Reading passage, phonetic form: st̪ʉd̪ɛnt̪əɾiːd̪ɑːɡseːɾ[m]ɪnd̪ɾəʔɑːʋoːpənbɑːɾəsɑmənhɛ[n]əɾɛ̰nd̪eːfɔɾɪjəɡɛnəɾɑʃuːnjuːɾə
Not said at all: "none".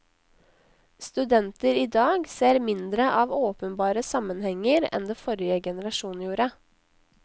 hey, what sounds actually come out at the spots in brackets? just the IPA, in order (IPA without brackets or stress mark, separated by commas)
m, ŋ